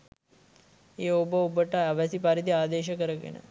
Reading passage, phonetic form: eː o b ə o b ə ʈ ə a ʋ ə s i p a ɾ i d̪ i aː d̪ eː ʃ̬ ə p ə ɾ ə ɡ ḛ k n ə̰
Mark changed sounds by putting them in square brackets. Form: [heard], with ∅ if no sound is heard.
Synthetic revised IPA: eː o b ə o b ə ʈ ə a ʋ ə s i p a ɾ i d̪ i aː d̪ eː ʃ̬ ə [k] ə ɾ ə ɡ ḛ [∅] n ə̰